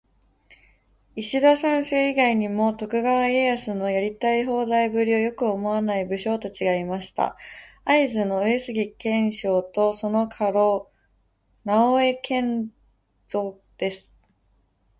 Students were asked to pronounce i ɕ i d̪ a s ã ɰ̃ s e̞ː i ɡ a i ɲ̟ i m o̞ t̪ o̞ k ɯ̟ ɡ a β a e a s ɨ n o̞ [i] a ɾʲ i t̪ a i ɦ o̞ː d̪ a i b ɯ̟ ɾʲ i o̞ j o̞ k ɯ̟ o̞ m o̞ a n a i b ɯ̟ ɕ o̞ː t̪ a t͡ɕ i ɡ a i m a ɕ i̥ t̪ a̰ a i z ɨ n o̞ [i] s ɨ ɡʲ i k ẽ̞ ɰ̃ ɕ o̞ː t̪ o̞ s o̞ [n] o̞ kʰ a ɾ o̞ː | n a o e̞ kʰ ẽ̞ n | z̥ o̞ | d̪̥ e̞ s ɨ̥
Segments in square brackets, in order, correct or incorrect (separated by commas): incorrect, incorrect, correct